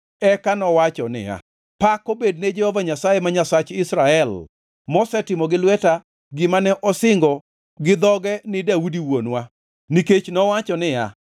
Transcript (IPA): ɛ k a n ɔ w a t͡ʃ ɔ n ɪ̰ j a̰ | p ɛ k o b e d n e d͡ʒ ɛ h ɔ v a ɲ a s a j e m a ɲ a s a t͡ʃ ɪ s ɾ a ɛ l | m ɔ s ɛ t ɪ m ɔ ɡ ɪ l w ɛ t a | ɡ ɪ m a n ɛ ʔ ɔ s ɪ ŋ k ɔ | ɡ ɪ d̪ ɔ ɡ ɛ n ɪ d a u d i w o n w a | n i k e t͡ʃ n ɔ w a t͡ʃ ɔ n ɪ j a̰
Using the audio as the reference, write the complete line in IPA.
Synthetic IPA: ɛ k a n ɔ w a t͡ʃ ɔ n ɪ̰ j a̰ | p a k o b e d n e d͡ʒ ɛ h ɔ v a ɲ a s a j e m a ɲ a s a t͡ʃ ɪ s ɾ a ɛ l | m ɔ s ɛ t ɪ m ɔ ɡ ɪ l w ɛ t a | ɡ ɪ m a n ɛ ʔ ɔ s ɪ ŋ ɡ ɔ | ɡ ɪ d̪ ɔ ɡ ɛ n ɪ d a u d i w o n w a | n i k e t͡ʃ n ɔ w a t͡ʃ ɔ n ɪ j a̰

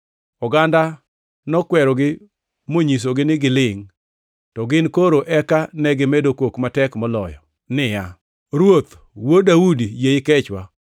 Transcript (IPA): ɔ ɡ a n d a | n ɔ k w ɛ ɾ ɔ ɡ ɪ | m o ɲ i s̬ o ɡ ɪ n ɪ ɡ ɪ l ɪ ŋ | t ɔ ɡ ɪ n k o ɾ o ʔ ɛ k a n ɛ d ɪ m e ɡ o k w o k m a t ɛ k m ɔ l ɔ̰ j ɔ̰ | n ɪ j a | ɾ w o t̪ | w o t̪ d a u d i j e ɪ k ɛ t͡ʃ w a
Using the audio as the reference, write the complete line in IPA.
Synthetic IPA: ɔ ɡ a n d a | n ɔ k w ɛ ɾ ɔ ɡ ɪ | m o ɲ i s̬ o ɡ ɪ n ɪ ɡ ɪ l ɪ ŋ | t ɔ ɡ ɪ n k o ɾ o ʔ ɛ k a n ɛ ɡ ɪ m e d o k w o k m a t ɛ k m ɔ l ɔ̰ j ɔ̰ | n ɪ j a | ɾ w o t̪ | w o d a u d i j e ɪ k ɛ t͡ʃ w a

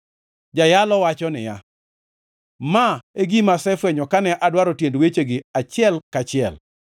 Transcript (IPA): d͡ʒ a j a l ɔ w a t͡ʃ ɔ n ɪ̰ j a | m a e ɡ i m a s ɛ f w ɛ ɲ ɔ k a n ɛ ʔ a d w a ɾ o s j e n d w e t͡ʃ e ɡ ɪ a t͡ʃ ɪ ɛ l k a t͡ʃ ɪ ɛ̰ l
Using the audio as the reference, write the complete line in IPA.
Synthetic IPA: d͡ʒ a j a l ɔ w a t͡ʃ ɔ n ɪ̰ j a | m a e ɡ i m a s ɛ f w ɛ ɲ ɔ k a n ɛ ʔ a d w a ɾ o t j e n d w e t͡ʃ e ɡ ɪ a t͡ʃ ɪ ɛ l k a t͡ʃ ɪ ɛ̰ l

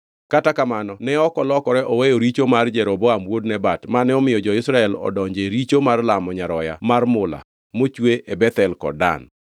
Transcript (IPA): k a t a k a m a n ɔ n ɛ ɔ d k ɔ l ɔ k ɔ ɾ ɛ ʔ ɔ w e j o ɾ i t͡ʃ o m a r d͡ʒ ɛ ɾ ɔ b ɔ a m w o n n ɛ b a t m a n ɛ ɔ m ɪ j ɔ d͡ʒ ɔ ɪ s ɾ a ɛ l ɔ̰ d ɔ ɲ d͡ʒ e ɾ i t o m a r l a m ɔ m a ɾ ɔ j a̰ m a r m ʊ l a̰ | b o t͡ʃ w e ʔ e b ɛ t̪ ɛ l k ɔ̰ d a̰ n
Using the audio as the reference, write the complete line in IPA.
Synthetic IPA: k a t a k a m a n ɔ n ɛ ɔ k ɔ l ɔ k ɔ ɾ ɛ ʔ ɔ w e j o ɾ i t͡ʃ o m a r d͡ʒ ɛ ɾ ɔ b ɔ a m w o d n ɛ b a t m a n ɛ ɔ m ɪ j ɔ d͡ʒ ɔ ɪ s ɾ a ɛ l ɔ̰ d ɔ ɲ d͡ʒ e ɾ i t͡ʃ o m a r l a m ɔ ɲ a ɾ ɔ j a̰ m a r m ʊ l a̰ | m o t͡ʃ w e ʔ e b ɛ t̪ ɛ l k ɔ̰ d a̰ n

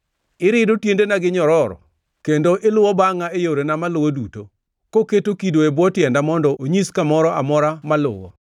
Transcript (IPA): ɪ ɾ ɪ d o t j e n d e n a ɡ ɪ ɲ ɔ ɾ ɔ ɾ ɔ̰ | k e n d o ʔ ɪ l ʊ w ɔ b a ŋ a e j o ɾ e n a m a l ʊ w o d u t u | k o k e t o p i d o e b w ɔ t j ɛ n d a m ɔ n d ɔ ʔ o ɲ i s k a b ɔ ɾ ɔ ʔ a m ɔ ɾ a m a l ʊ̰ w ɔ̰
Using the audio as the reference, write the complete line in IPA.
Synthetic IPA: ɪ ɾ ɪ d o t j e n d e n a ɡ ɪ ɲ ɔ ɾ ɔ ɾ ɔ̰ | k e n d o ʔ ɪ l ʊ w ɔ b a ŋ a e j o ɾ e n a m a l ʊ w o d u t o | k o k e t o k i d o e b w ɔ t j ɛ n d a m ɔ n d ɔ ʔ o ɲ i s k a m ɔ ɾ ɔ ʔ a m ɔ ɾ a m a l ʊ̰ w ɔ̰

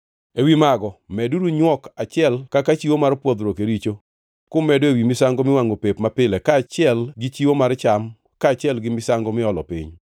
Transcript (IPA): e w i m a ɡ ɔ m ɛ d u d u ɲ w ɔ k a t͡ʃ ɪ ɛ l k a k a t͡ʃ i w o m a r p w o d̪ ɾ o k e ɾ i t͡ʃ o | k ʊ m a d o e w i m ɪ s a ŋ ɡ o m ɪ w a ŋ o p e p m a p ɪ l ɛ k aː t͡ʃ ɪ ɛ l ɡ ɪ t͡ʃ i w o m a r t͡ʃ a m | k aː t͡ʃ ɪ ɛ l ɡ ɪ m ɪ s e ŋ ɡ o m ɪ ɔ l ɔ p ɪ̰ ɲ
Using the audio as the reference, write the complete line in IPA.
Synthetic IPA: e w i m a ɡ ɔ m ɛ d u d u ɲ w ɔ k a t͡ʃ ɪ ɛ l k a k a t͡ʃ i w o m a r p w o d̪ ɾ o k e ɾ i t͡ʃ o | k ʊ m ɛ d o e w i m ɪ s a ŋ ɡ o m ɪ w a ŋ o p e p m a p ɪ l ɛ k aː t͡ʃ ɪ ɛ l ɡ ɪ t͡ʃ i w o m a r t͡ʃ a m | k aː t͡ʃ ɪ ɛ l ɡ ɪ m ɪ s a ŋ ɡ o m ɪ ɔ l ɔ p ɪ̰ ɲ

